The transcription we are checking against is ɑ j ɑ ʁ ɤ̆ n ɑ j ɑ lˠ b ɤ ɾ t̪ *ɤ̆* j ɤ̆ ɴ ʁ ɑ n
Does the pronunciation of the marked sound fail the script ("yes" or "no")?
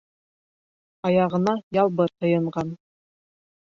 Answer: no